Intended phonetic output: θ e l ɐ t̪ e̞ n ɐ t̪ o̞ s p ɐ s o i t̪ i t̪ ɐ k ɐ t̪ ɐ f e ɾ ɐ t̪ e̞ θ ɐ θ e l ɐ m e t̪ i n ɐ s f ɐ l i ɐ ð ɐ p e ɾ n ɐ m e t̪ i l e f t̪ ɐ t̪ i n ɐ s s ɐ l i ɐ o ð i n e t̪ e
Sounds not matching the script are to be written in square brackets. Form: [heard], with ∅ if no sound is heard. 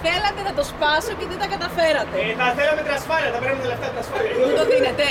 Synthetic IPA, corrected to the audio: θ e l ɐ t̪ e̞ n ɐ t̪ o̞ s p ɐ s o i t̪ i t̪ ɐ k ɐ t̪ ɐ f e ɾ ɐ t̪ e̞ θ ɐ θ e l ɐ m e t̪ i n ɐ s f ɐ l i ɐ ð ɐ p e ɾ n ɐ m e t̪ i l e f t̪ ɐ t̪ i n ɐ s [f] ɐ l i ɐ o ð i n e t̪ e